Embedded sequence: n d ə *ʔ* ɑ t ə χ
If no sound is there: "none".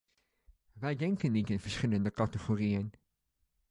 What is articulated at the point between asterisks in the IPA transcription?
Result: k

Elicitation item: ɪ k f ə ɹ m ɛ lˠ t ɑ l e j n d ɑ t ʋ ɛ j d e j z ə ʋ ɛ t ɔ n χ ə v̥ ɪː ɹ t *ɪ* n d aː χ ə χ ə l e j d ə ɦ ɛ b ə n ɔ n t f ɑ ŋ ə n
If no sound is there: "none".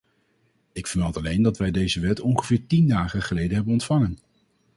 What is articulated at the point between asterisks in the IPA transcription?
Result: i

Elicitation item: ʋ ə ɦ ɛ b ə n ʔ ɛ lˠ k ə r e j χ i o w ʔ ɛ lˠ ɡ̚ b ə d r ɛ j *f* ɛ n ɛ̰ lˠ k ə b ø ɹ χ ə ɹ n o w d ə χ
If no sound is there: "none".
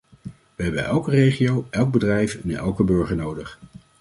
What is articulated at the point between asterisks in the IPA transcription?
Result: f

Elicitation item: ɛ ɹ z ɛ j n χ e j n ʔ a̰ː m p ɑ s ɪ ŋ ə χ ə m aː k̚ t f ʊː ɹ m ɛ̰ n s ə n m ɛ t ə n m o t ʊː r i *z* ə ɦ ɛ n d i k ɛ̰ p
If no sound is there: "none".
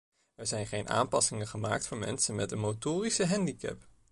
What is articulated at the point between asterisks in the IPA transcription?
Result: s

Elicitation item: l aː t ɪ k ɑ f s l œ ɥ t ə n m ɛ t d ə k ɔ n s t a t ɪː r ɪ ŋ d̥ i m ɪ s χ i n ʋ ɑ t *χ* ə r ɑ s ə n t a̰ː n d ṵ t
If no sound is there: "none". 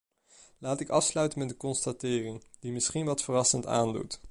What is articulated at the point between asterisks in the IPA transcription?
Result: f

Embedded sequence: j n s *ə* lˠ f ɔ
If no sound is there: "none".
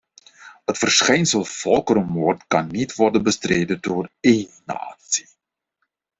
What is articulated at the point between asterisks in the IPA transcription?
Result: ə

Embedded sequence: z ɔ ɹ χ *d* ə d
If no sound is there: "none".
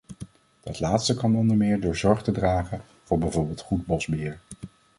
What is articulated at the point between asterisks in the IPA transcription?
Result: t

